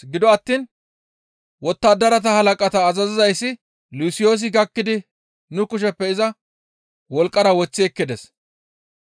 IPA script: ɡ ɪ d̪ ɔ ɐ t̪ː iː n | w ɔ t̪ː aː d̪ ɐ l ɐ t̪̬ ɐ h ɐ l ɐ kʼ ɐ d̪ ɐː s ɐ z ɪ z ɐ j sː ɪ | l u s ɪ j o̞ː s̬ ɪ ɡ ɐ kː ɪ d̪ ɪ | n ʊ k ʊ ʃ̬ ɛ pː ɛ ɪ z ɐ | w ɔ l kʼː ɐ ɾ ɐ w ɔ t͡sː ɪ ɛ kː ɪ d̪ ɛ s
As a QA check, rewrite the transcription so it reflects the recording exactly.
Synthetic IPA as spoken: ɡ ɪ d̪ ɔ ɐ t̪ː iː n | w ɔ t̪ː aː d̪ ɐ ɾ ɐ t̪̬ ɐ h ɐ l ɐ kʼ ɐ t̪ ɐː z ɐ z ɪ z ɐ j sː ɪ | l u s ɪ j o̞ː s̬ ɪ ɡ ɐ kː ɪ d̪ ɪ | n ʊ k ʊ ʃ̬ ɛ pː ɛ ɪ z ɐ | w ɔ l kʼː ɐ ɾ ɐ w ɔ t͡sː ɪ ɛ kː ɪ d̪ ɛ s

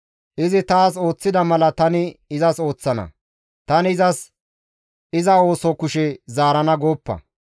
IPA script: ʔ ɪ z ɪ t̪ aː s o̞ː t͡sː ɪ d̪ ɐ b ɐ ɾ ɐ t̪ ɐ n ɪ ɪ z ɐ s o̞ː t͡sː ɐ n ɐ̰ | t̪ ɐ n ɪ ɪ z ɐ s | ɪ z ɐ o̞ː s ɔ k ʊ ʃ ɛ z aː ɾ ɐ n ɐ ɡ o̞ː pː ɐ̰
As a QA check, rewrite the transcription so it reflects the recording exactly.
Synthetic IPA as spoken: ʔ ɪ z ɪ t̪ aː s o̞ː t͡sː ɪ d̪ ɐ m ɐ l ɐ t̪ ɐ n ɪ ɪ z ɐ s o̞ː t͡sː ɐ n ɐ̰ | t̪ ɐ n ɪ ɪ z ɐ s | ɪ z ɐ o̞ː s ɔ k ʊ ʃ ɛ z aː ɾ ɐ n ɐ ɡ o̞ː pː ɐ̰

